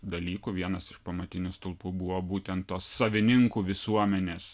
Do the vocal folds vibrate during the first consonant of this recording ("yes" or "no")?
yes